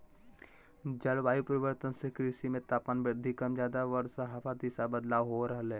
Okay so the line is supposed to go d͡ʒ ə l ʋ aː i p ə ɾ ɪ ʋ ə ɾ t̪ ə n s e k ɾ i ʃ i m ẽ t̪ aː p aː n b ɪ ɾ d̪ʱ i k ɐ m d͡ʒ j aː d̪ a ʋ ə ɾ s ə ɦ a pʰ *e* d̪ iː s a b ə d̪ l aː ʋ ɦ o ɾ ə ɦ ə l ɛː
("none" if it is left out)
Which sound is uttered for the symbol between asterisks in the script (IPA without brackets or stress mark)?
a